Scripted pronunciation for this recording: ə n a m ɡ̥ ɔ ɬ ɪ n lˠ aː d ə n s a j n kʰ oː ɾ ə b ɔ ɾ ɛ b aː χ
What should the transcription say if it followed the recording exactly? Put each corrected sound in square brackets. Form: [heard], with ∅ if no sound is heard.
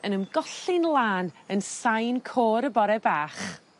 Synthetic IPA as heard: ə n [ə] m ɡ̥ ɔ ɬ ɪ n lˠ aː [n] ə n s a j n kʰ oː ɾ ə b ɔ ɾ ɛ b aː χ